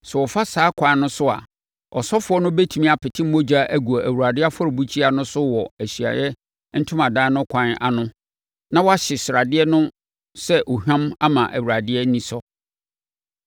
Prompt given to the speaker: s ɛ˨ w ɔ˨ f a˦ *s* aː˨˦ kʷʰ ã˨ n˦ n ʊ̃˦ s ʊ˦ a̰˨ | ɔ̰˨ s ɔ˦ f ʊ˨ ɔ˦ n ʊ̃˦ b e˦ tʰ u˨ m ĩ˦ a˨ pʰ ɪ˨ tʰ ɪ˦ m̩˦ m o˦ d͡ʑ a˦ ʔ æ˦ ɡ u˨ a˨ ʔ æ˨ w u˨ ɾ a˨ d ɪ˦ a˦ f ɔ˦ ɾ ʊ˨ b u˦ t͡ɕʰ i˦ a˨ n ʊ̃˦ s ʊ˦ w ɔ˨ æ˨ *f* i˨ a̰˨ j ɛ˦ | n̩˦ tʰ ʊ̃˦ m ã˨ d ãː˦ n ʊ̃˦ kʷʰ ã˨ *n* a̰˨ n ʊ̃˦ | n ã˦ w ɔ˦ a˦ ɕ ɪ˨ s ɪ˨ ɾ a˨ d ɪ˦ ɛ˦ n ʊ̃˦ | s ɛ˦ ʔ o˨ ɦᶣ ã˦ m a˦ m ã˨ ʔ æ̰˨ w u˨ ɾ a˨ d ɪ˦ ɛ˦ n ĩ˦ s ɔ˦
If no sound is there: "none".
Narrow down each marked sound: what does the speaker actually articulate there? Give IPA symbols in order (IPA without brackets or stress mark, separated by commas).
s, ɕ, n